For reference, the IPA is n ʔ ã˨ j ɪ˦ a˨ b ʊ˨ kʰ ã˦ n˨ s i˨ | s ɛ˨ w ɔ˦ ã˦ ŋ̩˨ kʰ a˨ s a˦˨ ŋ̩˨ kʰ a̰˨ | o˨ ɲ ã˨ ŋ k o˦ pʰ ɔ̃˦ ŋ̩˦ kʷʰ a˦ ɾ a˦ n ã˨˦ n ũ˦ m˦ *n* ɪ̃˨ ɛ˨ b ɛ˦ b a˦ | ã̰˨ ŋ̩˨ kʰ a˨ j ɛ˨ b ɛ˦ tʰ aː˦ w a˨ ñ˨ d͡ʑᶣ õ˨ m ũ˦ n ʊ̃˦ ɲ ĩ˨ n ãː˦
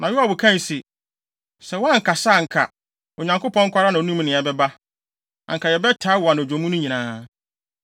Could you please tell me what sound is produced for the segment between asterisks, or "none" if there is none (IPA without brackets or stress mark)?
n